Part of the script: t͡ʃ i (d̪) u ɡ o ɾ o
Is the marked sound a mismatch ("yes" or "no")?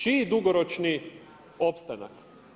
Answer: no